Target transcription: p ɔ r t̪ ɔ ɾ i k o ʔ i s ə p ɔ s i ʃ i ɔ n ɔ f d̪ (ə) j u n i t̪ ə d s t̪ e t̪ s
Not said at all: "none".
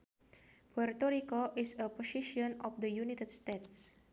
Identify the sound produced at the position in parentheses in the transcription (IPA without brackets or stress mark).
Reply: ə